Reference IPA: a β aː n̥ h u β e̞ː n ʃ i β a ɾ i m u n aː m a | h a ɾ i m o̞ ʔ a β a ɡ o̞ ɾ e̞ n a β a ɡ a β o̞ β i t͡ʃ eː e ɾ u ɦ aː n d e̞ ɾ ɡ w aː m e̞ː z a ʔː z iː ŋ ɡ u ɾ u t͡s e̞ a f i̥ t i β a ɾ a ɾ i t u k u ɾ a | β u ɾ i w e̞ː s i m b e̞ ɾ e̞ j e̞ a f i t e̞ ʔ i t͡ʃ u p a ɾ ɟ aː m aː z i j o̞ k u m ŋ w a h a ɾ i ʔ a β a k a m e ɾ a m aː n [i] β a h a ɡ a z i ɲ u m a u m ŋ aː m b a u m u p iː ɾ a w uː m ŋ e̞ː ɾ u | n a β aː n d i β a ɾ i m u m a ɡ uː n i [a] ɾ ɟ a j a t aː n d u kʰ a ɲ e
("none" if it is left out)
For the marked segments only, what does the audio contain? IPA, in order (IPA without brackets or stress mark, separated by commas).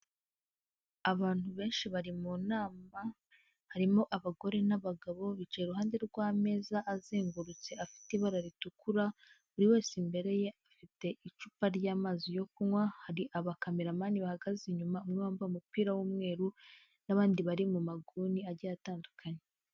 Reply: i, a